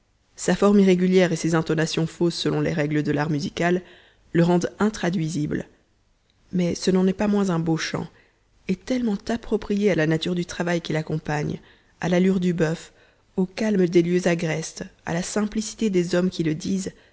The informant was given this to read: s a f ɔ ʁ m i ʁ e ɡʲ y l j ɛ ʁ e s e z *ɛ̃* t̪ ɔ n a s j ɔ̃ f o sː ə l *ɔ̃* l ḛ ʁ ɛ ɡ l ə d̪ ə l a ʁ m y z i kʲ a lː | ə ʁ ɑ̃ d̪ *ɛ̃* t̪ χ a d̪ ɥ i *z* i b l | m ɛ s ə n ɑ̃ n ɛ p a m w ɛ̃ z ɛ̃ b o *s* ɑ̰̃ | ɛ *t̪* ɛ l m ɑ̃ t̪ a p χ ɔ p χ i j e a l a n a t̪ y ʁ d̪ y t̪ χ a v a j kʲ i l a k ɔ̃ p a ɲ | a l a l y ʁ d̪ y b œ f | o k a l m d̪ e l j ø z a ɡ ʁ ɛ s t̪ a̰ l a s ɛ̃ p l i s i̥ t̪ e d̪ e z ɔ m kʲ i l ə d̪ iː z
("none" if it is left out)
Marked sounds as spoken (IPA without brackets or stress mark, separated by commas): ɛ̃, ɔ̃, ɛ̃, z, ʃ, t̪